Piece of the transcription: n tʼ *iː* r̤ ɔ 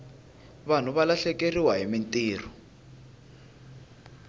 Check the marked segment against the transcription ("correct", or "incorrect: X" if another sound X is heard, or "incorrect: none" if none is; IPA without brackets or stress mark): correct